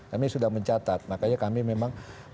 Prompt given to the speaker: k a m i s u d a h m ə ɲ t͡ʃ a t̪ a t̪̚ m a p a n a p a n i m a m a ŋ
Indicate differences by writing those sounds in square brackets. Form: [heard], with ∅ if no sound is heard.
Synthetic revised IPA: k a m i s u d a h m ə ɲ t͡ʃ a t̪ a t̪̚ m a [k] a [ɲ] a [k] a [m] i m [e] m a ŋ